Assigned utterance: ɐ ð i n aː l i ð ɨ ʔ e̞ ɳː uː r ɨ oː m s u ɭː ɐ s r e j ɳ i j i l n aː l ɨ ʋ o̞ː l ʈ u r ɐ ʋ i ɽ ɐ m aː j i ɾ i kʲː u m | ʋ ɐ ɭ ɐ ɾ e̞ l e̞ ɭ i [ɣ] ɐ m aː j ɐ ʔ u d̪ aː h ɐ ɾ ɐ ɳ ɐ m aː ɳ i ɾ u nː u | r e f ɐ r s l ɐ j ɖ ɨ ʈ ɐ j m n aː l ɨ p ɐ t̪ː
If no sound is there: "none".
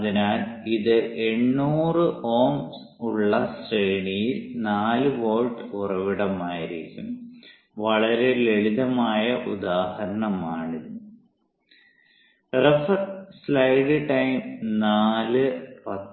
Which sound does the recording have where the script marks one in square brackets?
ð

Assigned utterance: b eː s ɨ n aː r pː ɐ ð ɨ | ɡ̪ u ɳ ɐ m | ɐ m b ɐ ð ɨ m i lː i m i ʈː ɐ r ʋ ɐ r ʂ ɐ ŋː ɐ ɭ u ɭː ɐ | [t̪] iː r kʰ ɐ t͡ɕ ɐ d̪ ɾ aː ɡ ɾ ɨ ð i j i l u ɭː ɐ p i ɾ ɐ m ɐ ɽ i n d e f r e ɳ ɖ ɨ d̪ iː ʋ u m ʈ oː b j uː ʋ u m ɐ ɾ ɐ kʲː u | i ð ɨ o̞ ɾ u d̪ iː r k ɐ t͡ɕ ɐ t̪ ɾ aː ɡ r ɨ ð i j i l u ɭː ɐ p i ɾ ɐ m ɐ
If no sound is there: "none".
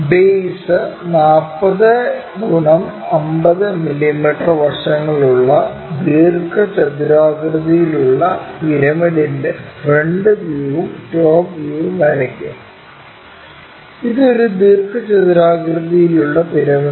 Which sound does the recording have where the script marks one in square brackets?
d̪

